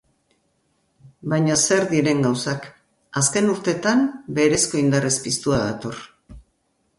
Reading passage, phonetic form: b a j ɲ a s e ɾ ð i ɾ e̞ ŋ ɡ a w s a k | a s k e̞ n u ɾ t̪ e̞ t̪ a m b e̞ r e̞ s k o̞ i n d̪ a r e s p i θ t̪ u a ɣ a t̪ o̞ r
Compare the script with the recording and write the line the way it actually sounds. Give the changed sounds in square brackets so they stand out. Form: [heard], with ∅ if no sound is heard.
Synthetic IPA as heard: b a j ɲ a s e ɾ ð i ɾ e̞ ŋ ɡ a w s a k | a s k e̞ n u ɾ t̪ e̞ t̪ a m b e̞ [ɾ] e̞ s k o̞ i n d̪ a r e s p i [s] t̪ u a [ð] a t̪ o̞ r